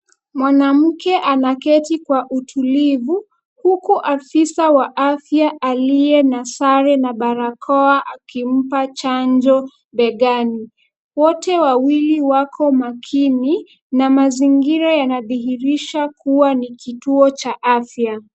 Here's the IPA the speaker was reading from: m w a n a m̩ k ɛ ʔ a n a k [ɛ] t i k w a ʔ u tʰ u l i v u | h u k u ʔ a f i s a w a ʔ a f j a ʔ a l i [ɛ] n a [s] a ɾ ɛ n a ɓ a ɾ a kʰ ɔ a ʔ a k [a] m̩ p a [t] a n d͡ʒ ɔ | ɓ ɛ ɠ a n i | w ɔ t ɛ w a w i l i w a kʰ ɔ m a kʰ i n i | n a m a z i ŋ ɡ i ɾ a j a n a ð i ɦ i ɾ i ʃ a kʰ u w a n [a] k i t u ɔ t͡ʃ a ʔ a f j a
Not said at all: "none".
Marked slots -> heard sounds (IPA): ɛ, ɛ, s, i, t͡ʃ, i

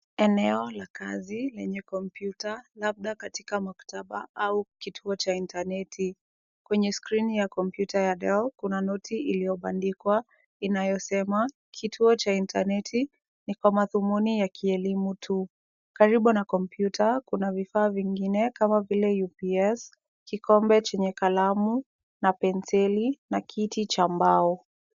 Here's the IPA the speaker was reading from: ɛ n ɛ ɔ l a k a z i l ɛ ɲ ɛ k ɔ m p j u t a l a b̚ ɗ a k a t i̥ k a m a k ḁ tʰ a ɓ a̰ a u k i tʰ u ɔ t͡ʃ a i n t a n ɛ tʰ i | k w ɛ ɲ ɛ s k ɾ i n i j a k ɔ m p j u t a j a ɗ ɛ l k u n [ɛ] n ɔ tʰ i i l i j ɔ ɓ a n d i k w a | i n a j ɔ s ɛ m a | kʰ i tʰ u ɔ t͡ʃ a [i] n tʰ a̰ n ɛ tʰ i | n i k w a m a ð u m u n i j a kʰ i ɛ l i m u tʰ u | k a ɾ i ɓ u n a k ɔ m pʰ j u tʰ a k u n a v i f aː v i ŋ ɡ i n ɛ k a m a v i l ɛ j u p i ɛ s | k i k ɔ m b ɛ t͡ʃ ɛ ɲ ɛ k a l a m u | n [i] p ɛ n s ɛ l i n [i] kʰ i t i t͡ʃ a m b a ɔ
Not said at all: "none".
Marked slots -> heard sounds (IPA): a, i, a, a

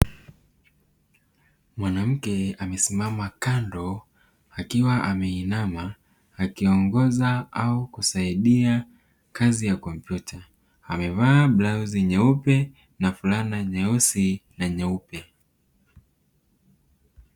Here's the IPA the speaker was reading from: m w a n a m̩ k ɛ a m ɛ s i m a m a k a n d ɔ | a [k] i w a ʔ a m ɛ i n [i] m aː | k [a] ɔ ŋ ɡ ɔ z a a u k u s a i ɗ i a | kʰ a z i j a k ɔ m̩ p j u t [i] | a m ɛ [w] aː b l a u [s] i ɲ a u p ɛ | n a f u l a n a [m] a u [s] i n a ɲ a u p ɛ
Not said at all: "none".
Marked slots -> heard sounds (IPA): k, a, i, a, v, z, ɲ, s

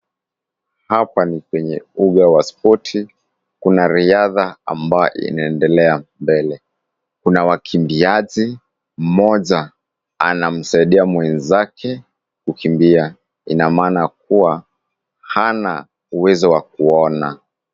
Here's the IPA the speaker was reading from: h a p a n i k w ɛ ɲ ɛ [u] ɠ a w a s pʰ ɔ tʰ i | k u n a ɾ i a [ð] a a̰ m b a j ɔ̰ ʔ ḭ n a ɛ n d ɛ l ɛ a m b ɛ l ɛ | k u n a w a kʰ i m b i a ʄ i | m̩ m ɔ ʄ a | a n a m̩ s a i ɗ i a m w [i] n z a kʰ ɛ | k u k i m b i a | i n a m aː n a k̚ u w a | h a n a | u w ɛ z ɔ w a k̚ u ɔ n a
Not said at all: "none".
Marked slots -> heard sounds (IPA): u, ð, ɛ

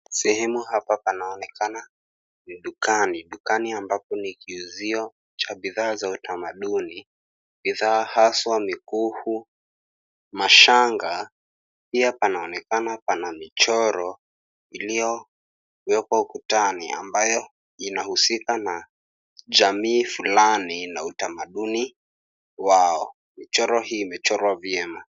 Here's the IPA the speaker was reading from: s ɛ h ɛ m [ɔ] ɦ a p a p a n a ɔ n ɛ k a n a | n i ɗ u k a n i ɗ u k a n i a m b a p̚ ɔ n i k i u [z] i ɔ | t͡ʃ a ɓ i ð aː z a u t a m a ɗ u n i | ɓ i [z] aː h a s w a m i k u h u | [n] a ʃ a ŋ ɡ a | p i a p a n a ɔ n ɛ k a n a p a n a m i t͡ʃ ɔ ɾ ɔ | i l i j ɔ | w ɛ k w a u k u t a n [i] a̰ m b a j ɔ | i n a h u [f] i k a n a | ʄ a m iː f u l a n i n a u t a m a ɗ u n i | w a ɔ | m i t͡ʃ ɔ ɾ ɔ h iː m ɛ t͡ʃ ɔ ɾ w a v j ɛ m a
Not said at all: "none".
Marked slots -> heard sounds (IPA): u, z, ð, m, i, s

